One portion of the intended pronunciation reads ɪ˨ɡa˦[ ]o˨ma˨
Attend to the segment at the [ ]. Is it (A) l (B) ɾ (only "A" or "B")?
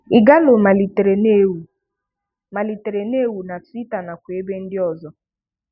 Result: A